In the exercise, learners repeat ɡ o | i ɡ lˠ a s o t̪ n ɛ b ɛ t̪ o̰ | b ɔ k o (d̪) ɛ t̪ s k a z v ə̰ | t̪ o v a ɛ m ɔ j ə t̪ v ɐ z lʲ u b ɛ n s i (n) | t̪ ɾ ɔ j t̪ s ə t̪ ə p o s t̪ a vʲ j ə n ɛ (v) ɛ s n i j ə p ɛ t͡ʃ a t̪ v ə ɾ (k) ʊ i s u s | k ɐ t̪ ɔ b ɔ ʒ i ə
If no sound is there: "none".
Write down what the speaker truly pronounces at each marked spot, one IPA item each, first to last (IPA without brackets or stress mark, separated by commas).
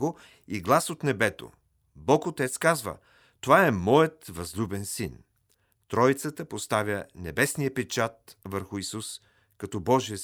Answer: t̪, n, b, x